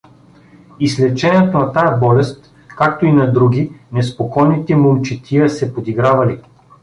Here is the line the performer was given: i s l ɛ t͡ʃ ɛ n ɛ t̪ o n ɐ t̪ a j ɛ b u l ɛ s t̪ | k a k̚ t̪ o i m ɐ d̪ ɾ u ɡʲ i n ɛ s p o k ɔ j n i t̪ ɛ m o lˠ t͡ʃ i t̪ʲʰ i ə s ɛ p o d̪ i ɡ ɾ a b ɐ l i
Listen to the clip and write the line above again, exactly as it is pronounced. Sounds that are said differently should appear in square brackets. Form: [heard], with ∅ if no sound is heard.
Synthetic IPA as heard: i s l ɛ t͡ʃ ɛ n ɛ t̪ o n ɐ t̪ a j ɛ b [ɔ] l ɛ s t̪ | k a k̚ t̪ o i [n] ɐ d̪ ɾ u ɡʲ i n ɛ s p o k ɔ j n i t̪ ɛ m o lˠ t͡ʃ i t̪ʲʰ i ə s ɛ p o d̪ i ɡ ɾ a [v] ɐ l i